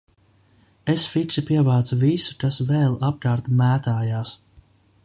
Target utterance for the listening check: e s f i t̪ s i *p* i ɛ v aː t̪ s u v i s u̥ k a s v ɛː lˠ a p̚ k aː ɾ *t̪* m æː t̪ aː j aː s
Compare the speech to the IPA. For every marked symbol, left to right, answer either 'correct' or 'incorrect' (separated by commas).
correct, correct